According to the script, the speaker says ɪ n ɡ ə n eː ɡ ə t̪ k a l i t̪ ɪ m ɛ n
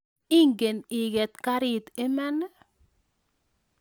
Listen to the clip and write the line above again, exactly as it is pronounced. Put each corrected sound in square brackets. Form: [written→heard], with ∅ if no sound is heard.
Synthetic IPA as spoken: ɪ [n→ŋ] ɡ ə n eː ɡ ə t̪ k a [l→ɾ] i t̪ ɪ m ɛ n